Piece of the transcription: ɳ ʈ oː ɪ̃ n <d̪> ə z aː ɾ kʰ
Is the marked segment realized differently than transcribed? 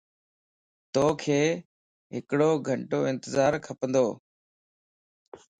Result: yes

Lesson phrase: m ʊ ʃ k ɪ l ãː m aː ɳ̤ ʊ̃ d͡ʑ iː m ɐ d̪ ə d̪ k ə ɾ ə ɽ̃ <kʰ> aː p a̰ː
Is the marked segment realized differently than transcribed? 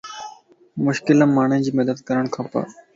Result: no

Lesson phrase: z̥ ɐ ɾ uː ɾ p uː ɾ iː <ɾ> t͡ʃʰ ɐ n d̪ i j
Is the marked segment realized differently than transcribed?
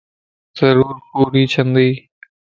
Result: yes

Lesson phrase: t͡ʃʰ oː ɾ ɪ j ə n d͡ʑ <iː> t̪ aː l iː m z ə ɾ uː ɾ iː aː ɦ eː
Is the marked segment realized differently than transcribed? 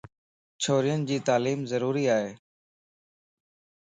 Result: no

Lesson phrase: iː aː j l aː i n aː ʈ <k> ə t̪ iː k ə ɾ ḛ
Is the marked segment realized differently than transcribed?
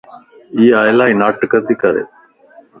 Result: no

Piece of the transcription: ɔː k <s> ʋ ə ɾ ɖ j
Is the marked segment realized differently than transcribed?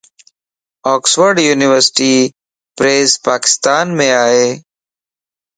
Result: no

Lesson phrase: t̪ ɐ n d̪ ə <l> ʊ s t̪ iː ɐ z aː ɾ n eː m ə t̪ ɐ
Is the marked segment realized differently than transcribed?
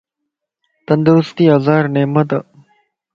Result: yes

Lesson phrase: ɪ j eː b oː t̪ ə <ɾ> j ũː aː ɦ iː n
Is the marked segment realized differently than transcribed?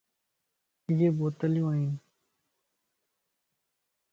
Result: yes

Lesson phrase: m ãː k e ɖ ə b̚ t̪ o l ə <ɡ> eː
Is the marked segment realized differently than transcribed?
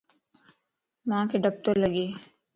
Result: no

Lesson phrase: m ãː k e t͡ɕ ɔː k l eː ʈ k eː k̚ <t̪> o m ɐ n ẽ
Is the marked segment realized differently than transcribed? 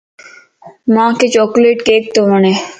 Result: no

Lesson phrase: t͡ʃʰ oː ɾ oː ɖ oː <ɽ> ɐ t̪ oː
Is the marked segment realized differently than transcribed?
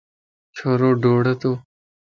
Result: no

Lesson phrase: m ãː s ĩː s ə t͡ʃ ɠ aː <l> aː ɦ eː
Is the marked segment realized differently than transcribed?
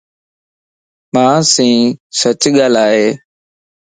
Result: no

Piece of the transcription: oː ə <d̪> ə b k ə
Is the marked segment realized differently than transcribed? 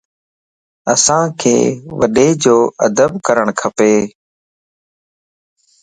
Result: no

